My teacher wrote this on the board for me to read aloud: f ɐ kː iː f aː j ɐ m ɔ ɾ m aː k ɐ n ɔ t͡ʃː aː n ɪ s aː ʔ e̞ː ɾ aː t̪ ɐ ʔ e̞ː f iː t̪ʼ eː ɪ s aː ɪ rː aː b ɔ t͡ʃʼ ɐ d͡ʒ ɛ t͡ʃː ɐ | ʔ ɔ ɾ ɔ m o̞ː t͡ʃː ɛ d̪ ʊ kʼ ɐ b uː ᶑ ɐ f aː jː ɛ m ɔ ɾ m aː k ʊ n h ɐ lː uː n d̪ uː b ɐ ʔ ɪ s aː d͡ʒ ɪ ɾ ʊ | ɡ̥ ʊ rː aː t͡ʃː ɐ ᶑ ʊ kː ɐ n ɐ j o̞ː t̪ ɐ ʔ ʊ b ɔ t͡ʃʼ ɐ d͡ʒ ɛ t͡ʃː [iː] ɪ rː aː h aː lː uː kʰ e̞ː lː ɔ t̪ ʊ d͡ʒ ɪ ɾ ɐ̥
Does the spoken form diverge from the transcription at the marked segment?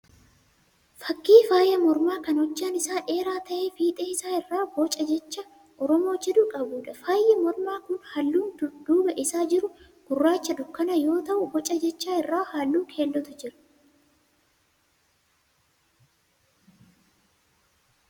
yes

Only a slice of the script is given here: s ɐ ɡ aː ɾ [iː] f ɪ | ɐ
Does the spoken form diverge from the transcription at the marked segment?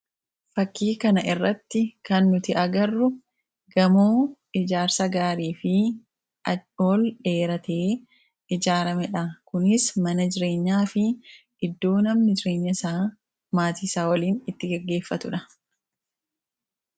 no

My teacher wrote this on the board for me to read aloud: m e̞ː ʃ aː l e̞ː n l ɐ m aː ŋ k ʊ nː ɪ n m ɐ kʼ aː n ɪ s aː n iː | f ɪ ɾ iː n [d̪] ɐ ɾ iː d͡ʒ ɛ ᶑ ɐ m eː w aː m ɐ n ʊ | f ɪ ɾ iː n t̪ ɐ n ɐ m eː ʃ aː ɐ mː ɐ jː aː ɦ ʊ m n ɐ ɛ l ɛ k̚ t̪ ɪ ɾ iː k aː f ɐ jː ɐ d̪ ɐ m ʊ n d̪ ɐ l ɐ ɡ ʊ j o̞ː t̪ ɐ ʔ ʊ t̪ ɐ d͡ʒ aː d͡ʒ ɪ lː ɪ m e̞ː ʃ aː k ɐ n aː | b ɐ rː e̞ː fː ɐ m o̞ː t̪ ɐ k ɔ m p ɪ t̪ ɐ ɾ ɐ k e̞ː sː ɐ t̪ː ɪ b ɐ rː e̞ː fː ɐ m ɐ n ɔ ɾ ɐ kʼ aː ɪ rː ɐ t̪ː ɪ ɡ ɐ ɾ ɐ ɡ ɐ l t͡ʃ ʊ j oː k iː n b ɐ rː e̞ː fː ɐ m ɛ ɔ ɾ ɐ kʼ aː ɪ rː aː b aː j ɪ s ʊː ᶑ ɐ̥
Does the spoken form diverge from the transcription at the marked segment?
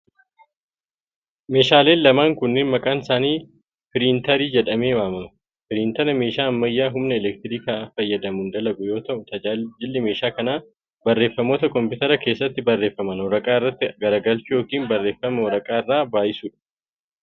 yes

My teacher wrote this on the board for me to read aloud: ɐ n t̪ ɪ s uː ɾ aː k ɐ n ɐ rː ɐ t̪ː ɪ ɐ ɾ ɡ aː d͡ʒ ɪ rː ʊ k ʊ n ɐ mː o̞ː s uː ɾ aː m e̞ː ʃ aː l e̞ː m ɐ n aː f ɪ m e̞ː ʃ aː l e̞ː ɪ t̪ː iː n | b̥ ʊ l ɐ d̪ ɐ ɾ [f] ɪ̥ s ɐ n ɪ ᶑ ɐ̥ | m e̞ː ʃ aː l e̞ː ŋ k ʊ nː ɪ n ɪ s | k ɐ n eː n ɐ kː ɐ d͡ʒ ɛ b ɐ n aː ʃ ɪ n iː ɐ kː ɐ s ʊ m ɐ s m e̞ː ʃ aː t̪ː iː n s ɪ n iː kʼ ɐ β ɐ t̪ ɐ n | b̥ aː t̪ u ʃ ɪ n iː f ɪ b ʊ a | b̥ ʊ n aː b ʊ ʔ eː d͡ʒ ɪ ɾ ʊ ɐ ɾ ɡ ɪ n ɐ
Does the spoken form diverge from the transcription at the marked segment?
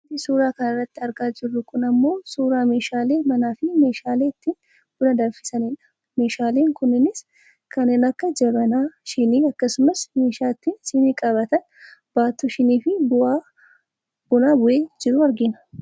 no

